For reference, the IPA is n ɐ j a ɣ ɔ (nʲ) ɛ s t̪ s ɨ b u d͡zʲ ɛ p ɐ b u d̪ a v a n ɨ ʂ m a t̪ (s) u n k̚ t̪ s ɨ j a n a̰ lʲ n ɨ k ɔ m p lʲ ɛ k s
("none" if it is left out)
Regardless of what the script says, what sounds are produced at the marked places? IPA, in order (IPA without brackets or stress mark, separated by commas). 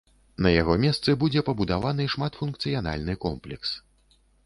mʲ, f